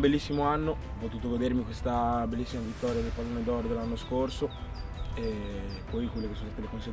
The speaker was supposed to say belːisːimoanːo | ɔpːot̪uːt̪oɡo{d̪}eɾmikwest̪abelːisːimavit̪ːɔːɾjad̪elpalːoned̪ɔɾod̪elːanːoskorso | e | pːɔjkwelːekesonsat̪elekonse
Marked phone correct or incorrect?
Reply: correct